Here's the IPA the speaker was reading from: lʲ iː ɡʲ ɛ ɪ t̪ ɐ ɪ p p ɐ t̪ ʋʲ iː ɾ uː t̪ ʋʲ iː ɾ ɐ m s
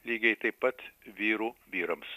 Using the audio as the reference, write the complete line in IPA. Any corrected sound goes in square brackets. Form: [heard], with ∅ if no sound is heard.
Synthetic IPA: lʲ iː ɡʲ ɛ ɪ t̪ ɐ ɪ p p ɐ t̪ ʋʲ iː ɾ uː [∅] ʋʲ iː ɾ ɐ m s